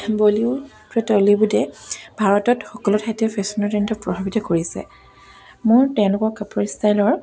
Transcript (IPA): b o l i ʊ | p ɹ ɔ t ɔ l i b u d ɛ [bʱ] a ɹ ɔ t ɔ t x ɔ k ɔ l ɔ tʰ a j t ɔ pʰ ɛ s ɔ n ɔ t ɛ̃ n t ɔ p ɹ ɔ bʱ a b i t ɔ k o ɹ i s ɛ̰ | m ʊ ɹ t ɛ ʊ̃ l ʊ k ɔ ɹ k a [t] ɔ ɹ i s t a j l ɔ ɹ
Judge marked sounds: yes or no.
yes, no

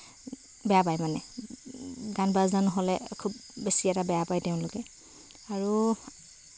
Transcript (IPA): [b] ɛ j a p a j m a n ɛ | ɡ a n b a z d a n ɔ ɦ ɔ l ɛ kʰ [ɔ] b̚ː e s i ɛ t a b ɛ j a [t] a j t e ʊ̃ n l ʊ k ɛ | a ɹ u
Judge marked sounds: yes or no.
yes, no, no

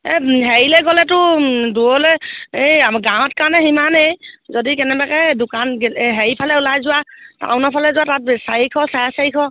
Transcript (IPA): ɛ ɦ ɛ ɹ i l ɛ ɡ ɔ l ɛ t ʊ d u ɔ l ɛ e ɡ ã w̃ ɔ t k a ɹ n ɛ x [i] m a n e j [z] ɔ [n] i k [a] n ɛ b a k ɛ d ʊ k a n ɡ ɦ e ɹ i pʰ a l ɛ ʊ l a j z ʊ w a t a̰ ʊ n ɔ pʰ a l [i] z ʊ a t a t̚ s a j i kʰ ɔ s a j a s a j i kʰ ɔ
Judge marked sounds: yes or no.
yes, yes, no, no, no

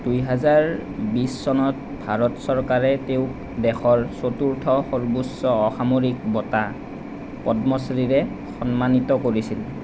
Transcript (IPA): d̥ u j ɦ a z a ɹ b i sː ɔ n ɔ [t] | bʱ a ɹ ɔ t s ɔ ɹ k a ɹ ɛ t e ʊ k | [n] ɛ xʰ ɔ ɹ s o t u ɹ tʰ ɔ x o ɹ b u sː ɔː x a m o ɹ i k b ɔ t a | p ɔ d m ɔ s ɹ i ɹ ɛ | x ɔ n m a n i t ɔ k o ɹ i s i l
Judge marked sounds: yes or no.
yes, no

